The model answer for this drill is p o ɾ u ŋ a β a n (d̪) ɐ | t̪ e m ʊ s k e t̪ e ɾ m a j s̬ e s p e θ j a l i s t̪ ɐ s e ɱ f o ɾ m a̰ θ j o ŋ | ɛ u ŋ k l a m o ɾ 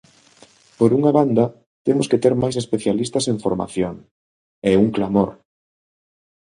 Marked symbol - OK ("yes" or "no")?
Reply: yes